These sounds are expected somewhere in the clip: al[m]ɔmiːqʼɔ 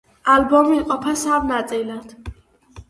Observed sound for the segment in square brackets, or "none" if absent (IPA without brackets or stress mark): b